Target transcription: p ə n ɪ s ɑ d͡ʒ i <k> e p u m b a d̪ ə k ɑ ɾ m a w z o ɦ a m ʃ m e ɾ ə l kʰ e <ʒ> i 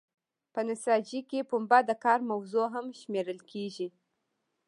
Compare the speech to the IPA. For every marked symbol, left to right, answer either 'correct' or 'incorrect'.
correct, correct

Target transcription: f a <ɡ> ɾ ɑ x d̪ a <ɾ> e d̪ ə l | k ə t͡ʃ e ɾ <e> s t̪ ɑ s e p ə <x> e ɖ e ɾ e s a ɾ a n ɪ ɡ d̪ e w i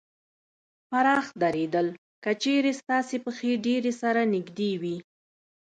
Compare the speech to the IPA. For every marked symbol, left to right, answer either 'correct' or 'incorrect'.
incorrect: none, correct, correct, correct

